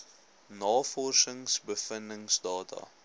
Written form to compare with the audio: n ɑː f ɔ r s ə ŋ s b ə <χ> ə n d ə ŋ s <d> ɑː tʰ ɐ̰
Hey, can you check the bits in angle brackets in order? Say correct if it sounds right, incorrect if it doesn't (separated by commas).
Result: incorrect, correct